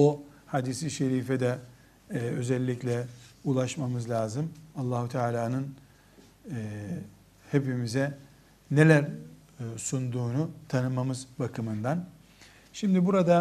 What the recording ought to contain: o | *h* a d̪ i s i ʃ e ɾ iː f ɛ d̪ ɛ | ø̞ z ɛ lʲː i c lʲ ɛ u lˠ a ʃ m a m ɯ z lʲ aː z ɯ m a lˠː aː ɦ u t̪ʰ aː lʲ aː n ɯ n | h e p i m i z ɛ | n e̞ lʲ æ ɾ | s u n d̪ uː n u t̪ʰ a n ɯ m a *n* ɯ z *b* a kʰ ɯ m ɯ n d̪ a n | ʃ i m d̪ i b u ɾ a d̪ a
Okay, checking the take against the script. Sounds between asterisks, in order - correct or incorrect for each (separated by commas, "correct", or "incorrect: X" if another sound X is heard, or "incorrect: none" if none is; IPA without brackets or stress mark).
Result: correct, incorrect: m, correct